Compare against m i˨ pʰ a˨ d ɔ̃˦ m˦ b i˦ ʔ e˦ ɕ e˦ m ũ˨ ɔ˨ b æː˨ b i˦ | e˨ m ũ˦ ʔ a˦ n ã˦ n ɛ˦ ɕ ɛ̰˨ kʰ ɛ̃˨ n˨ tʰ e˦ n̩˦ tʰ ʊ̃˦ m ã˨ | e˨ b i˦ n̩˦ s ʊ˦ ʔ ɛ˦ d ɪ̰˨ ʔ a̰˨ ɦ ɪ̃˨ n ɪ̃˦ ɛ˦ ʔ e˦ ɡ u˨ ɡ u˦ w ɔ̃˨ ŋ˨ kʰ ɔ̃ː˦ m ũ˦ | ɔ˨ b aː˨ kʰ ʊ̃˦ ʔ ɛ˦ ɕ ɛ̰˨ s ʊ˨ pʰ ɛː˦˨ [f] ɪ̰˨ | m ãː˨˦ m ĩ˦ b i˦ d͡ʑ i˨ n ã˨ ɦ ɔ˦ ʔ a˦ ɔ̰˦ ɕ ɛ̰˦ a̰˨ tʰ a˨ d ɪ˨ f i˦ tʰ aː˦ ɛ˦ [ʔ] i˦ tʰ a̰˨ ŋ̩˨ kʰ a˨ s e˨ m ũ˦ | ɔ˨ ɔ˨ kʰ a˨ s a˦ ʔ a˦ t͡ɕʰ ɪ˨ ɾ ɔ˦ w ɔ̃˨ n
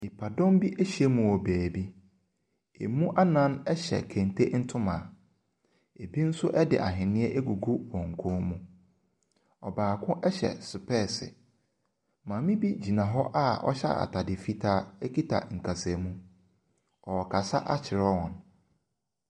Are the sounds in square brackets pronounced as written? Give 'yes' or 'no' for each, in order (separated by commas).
no, no